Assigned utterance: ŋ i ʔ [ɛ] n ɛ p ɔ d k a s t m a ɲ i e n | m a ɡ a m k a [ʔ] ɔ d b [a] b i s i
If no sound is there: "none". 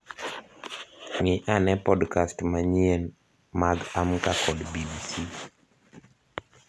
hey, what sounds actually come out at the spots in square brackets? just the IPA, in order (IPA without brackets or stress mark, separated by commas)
a, k, i